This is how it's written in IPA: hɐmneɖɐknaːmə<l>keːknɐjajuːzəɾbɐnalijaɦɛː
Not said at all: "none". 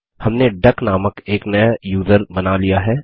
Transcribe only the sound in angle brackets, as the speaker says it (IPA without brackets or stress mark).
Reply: none